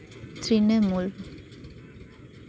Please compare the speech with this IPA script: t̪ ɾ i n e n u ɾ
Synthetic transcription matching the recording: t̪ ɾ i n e m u l